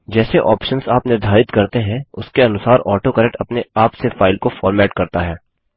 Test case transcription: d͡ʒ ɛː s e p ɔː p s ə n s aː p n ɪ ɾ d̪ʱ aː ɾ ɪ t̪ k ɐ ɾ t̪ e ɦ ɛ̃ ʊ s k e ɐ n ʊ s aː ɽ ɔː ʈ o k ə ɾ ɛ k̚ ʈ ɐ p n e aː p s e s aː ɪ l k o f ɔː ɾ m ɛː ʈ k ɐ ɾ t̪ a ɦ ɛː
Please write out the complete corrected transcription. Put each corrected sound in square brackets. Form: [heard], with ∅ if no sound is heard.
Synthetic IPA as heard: d͡ʒ ɛː s e [ʔ] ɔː p [ʃ] ə n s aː p n ɪ ɾ d̪ʱ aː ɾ ɪ t̪ k ɐ ɾ t̪ e ɦ ɛ̃ ʊ s k e ɐ n ʊ s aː [ɾ] ɔː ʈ o k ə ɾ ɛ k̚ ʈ ɐ p n e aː p s e [f] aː ɪ l k o f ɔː ɾ m ɛː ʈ k ɐ ɾ t̪ a ɦ ɛː